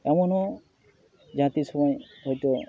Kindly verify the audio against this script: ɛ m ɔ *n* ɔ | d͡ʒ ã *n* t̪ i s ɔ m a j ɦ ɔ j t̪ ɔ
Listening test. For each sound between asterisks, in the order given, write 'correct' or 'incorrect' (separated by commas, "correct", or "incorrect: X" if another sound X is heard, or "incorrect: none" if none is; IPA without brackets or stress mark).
correct, incorrect: none